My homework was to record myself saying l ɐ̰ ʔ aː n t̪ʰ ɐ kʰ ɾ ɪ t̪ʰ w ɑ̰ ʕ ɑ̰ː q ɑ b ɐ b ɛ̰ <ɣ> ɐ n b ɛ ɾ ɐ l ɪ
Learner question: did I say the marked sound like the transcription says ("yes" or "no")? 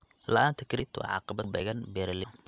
yes